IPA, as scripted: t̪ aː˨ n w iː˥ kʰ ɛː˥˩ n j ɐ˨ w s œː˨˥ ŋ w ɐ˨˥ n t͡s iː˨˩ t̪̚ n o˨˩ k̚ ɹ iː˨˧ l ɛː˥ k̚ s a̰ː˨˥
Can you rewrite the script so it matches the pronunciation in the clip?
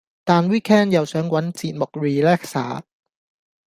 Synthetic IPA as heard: t̪ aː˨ n w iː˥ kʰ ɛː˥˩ n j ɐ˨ w s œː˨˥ ŋ w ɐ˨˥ n t͡s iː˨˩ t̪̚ m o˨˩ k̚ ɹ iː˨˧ l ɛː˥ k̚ s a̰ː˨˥